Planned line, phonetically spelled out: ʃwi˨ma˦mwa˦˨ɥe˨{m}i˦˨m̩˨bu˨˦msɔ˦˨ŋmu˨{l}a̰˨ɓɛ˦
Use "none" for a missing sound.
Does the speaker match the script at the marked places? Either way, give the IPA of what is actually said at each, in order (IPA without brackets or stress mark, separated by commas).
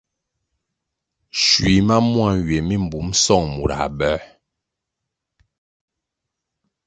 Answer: m, ɾ